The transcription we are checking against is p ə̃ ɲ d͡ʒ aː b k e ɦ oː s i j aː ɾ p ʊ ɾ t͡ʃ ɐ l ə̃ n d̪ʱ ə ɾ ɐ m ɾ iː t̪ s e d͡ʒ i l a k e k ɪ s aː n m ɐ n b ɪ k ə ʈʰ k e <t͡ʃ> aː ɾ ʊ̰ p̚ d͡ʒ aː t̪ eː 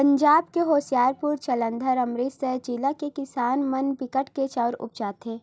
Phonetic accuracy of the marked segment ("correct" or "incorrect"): correct